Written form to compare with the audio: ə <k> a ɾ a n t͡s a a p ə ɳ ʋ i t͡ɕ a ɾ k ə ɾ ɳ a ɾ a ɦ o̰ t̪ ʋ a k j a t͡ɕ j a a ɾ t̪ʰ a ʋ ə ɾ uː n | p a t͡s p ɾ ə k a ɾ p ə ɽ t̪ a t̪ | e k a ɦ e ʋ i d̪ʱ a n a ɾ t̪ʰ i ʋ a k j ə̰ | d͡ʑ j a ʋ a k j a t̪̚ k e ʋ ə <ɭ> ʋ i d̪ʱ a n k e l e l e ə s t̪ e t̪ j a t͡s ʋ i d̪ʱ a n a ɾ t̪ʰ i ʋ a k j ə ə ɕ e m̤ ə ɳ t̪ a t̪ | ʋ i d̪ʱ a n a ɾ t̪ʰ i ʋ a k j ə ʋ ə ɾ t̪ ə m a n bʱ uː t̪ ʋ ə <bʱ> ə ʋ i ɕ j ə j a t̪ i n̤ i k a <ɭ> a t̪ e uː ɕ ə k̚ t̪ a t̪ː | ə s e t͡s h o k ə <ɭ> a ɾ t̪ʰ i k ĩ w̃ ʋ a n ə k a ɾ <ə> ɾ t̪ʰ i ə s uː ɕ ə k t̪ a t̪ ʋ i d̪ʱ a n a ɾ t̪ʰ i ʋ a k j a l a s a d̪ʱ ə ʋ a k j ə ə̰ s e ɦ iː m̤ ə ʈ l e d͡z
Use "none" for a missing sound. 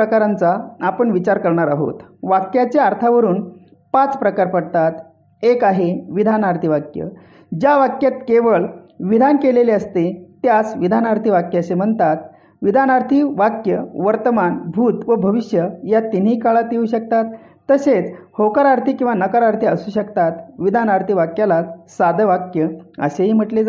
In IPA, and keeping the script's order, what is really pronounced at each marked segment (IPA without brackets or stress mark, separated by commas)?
k, ɭ, bʱ, ɭ, ɾ, a